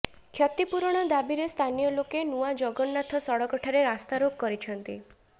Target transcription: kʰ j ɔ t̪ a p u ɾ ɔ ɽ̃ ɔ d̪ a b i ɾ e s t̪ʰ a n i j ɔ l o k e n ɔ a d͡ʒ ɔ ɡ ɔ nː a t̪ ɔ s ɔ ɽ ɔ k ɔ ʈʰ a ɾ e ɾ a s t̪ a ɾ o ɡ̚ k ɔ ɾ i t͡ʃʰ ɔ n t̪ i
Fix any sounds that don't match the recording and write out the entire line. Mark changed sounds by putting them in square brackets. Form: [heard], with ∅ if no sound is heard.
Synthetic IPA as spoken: kʰ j ɔ t̪ [i] p u ɾ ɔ ɽ̃ ɔ d̪ a b i ɾ e s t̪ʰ a n i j ɔ l o k e n [u] a d͡ʒ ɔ ɡ ɔ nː a [t̪ʰ] ɔ s ɔ ɽ ɔ k ɔ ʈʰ a ɾ e ɾ a s t̪ a ɾ o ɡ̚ k ɔ ɾ i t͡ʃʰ ɔ n t̪ i